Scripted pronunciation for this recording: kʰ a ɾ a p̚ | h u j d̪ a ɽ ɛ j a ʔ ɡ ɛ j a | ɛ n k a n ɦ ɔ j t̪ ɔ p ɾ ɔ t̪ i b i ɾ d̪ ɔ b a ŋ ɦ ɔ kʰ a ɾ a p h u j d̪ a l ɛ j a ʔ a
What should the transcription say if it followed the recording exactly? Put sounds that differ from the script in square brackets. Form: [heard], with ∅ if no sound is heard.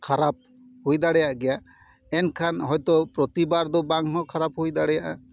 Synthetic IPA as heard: kʰ a ɾ a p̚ | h u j d̪ a ɽ ɛ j a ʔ ɡ ɛ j a | ɛ n [kʰ] a n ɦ ɔ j t̪ ɔ p ɾ ɔ t̪ i b [a] ɾ d̪ ɔ b a ŋ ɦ ɔ kʰ a ɾ a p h u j d̪ a [ɽ] ɛ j a ʔ a